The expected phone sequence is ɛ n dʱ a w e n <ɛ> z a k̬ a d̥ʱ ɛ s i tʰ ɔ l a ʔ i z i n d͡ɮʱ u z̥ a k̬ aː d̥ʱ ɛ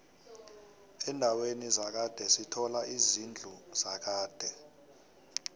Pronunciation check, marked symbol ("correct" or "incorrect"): incorrect